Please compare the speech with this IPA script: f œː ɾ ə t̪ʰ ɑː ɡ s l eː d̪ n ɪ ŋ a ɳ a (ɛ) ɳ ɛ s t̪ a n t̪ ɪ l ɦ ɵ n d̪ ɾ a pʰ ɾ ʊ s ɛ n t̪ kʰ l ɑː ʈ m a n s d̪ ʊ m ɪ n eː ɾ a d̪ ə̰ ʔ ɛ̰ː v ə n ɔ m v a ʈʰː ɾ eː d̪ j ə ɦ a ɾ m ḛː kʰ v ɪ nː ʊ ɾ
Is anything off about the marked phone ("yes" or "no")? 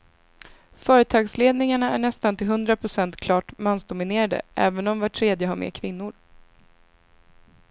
yes